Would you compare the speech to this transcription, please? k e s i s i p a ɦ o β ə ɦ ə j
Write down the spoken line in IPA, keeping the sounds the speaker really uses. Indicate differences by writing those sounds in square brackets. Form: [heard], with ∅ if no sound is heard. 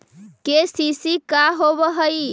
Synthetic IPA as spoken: k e s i s i [k] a ɦ o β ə ɦ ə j